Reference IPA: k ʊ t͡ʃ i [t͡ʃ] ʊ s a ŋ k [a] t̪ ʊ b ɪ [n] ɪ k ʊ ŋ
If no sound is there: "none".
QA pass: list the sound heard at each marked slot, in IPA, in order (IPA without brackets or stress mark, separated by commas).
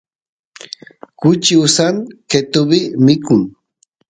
none, e, m